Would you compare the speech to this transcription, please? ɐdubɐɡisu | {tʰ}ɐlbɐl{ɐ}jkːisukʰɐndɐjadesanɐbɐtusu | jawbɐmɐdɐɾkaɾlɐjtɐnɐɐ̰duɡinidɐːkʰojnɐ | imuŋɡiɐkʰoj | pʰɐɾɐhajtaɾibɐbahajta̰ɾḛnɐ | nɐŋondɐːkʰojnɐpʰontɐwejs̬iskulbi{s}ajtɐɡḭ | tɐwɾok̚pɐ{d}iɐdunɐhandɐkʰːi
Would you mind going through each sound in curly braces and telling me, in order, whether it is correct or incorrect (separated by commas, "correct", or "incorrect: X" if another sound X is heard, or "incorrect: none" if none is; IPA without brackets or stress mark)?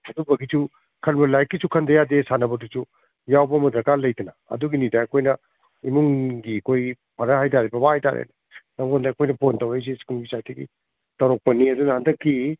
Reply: incorrect: kʰ, incorrect: a, correct, incorrect: n